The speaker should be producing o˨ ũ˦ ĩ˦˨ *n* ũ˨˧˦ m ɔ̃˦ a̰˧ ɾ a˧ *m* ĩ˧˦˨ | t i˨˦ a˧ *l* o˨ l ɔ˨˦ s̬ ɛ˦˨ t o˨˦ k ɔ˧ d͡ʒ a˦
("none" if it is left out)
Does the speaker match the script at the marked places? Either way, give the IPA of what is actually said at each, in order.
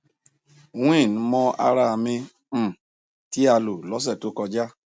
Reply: n, m, l

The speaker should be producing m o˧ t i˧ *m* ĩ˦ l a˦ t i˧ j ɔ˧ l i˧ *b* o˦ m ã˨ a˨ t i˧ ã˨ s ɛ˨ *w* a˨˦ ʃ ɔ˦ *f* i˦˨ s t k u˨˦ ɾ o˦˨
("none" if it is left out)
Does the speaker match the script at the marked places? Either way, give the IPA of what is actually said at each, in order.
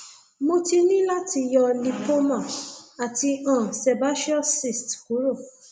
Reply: n, p, b, s

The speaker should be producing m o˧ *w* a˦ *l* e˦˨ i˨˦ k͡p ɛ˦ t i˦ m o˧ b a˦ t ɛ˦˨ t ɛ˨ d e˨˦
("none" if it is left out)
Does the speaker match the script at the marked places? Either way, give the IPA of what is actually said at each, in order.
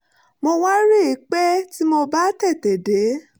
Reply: w, ɾ

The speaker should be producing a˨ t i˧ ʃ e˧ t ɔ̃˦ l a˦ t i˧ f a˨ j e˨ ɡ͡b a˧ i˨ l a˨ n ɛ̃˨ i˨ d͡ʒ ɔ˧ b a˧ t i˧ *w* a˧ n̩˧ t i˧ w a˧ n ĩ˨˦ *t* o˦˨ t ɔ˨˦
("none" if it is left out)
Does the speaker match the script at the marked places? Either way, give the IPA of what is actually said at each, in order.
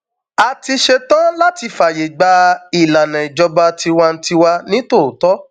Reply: w, t

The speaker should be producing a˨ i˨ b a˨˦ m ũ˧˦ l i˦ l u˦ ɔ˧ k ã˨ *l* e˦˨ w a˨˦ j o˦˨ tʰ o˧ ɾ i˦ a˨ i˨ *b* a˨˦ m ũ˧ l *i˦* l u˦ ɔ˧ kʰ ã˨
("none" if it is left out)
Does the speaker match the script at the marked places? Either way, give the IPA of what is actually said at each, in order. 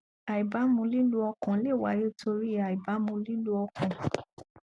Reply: l, b, i˦

